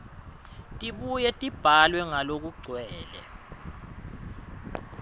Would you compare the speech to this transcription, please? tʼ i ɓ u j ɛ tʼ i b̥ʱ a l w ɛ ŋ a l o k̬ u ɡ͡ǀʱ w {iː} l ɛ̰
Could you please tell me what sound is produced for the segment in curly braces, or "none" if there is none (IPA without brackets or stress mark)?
ɛː